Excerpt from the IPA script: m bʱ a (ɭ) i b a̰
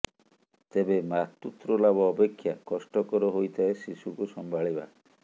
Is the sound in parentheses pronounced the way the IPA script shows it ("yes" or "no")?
yes